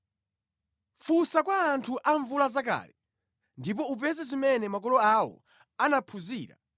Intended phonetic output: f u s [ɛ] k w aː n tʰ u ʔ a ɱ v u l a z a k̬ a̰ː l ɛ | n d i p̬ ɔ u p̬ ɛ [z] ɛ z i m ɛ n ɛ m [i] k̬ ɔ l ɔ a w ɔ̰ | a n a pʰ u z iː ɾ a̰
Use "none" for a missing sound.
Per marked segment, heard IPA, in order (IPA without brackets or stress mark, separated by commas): a, z, a